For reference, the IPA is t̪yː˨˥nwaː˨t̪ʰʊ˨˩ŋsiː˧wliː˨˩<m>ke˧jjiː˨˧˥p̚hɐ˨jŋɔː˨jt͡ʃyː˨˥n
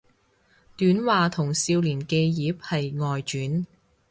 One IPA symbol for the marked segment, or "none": n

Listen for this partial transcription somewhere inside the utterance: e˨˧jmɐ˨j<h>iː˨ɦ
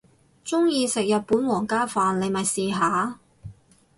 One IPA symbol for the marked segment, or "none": s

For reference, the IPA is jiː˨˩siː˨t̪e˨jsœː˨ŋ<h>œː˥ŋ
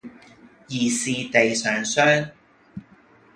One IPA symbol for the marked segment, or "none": s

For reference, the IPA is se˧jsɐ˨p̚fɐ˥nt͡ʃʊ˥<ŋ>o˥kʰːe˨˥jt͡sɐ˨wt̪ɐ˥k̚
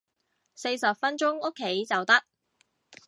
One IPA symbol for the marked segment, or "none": ŋ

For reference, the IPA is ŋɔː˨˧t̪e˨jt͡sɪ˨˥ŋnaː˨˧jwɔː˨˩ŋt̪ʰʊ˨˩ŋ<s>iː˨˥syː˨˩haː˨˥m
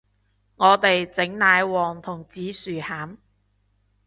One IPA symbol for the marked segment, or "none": t͡s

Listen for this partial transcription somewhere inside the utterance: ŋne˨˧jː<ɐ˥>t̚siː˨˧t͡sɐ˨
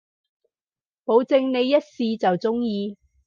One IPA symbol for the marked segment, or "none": ɐ˥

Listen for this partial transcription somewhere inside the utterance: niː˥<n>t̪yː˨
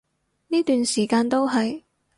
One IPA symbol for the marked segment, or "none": none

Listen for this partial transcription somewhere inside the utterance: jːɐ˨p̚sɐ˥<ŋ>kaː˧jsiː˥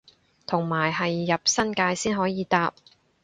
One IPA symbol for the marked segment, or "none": n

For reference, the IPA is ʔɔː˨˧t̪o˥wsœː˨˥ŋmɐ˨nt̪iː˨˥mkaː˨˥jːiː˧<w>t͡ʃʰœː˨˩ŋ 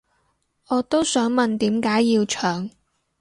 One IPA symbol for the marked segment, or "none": w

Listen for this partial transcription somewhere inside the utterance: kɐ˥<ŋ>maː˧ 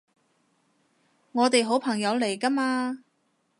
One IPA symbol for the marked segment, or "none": none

